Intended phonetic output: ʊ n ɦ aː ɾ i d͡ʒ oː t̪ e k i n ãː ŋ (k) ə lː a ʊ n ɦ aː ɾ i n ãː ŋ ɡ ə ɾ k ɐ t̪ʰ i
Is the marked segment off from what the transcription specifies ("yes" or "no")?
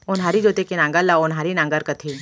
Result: yes